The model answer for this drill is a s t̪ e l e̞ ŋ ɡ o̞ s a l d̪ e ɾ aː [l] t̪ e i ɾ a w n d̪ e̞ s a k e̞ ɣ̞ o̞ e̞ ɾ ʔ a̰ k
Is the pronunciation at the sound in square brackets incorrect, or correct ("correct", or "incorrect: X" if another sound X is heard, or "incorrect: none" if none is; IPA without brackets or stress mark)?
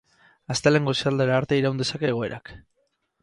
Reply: incorrect: ɾ